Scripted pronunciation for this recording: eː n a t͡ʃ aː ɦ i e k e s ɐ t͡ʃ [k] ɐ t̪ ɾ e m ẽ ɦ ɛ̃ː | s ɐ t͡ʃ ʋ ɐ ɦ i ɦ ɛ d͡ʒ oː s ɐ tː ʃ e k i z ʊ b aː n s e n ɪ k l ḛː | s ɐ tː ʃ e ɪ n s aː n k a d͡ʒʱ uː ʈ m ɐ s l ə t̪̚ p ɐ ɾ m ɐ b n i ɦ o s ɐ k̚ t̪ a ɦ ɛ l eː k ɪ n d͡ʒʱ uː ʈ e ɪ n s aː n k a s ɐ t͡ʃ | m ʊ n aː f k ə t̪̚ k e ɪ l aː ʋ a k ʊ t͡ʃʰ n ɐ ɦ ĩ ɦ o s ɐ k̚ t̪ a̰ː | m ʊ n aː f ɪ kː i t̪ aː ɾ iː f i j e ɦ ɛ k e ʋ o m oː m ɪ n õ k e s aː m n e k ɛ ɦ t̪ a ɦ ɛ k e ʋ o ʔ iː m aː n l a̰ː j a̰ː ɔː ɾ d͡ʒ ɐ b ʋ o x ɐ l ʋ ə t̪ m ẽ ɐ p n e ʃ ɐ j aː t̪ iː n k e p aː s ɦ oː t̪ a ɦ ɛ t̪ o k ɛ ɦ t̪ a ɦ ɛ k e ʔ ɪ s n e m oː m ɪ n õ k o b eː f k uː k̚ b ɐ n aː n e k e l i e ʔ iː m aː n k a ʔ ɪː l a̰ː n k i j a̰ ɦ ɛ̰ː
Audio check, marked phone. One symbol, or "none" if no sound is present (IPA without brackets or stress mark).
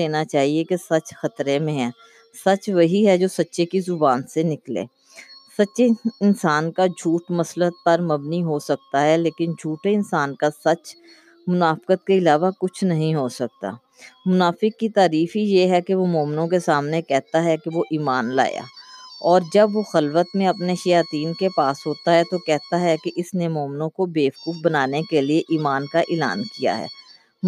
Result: x